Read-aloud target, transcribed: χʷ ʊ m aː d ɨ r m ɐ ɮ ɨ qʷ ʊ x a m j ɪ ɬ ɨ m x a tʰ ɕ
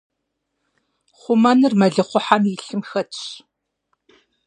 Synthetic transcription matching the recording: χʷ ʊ m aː n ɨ r m ɐ ɮ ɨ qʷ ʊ ħ a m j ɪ ɬ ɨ m x ɐ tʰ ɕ